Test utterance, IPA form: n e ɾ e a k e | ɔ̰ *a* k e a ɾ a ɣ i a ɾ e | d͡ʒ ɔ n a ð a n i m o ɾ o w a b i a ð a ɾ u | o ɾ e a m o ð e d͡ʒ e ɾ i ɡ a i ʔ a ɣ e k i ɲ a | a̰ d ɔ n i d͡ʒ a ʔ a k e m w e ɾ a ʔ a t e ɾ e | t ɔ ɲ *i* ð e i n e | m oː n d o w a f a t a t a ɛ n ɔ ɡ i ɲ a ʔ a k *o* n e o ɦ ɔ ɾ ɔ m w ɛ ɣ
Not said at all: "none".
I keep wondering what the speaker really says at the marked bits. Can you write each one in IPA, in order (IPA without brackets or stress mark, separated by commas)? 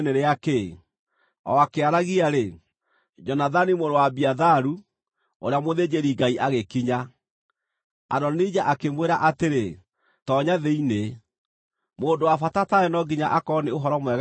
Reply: a, a, ɔ